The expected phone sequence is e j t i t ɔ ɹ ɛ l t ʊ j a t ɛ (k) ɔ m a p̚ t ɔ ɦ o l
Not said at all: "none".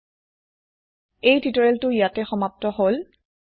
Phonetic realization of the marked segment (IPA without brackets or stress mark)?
x